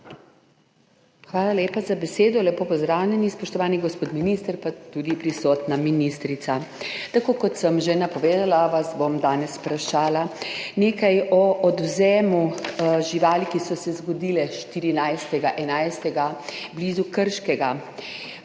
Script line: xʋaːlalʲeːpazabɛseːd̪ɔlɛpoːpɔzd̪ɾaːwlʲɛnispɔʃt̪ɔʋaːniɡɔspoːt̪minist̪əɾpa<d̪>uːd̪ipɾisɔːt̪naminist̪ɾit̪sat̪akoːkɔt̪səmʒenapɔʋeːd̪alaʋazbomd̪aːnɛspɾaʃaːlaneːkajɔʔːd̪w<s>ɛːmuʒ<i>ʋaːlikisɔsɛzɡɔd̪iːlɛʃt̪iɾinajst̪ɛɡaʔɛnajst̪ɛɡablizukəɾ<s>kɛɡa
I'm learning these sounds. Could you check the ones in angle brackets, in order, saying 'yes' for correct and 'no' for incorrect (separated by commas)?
no, no, yes, no